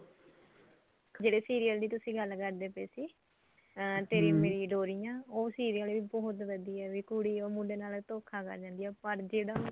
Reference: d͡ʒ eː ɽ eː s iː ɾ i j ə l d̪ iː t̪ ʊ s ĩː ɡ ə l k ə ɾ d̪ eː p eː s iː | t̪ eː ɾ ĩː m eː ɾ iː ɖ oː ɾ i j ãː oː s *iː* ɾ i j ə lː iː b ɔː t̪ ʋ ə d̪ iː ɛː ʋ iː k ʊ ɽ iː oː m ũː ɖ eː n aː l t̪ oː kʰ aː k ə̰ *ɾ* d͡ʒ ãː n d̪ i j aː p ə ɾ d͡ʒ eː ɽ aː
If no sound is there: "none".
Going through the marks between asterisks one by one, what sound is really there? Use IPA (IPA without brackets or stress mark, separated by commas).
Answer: iː, ɾ